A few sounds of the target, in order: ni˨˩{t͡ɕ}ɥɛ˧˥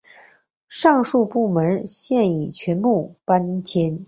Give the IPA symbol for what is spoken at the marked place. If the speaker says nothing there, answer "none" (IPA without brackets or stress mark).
t͡ɕʰ